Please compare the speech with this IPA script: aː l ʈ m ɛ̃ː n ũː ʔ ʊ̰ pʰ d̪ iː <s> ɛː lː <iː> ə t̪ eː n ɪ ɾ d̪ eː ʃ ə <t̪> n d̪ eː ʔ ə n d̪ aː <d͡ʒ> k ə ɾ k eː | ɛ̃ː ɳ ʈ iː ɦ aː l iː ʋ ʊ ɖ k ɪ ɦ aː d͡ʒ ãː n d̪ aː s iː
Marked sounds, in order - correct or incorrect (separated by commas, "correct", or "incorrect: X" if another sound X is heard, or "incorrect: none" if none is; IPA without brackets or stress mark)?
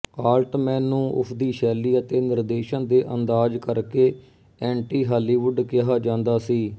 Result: incorrect: ʃ, correct, incorrect: none, correct